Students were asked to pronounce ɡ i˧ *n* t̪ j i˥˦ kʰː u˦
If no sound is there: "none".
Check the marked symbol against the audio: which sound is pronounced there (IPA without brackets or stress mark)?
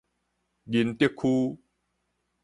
n